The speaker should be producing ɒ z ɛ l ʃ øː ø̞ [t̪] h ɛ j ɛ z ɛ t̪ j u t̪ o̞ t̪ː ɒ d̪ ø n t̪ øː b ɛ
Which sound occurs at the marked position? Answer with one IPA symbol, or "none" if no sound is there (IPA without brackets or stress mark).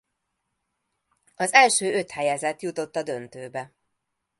t̪